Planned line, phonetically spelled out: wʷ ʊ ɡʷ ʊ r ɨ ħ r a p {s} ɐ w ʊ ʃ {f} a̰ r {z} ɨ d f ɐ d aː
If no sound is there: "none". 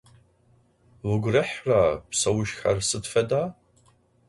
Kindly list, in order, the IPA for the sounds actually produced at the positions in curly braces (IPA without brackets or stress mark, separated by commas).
s, x, s